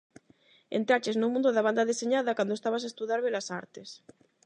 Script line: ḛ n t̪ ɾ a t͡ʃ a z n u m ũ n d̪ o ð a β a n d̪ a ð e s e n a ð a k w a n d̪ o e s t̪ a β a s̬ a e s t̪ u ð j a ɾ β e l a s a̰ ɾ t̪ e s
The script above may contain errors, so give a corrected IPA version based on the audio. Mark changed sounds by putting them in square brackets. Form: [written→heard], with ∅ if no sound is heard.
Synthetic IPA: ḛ n t̪ ɾ a t͡ʃ [a→e] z n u m ũ n d̪ o ð a β a n d̪ a ð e s e [n→ɲ] a ð a k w a n d̪ o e s t̪ a β a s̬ a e s t̪ u ð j a ɾ β e l a s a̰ ɾ t̪ e s